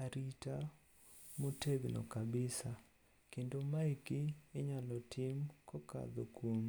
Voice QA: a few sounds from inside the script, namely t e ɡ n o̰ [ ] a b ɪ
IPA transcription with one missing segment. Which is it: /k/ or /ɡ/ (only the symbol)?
k